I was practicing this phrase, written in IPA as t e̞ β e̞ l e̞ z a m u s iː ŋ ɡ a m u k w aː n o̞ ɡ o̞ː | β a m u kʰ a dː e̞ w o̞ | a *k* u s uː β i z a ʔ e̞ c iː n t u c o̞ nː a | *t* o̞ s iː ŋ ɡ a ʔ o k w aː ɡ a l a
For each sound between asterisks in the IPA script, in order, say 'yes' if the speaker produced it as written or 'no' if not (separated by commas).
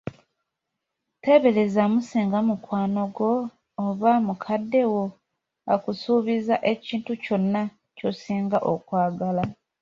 yes, no